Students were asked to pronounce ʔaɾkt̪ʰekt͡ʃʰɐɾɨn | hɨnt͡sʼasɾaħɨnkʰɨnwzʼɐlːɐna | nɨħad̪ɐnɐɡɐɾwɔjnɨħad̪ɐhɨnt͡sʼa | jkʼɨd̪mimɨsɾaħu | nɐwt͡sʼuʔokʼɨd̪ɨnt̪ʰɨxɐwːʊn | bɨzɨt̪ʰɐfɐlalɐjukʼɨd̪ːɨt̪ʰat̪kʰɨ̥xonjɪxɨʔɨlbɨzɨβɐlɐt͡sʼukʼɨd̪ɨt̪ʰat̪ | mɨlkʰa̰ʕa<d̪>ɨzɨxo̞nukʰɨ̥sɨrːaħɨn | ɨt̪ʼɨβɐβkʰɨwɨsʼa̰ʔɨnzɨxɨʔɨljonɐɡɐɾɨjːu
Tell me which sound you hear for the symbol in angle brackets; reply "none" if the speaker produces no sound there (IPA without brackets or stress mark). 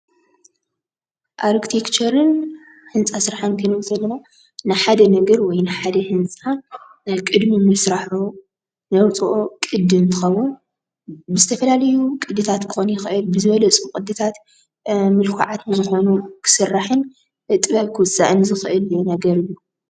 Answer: t̪